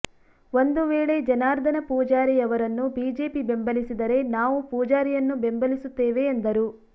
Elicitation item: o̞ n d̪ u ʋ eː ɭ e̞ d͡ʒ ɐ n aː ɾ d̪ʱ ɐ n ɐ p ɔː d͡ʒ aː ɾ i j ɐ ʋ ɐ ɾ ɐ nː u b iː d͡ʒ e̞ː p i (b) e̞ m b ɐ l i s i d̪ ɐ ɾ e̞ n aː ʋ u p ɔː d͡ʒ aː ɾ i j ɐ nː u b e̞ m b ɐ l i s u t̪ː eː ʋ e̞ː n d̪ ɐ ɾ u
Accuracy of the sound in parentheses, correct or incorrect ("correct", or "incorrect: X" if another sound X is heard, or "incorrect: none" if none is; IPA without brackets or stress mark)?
correct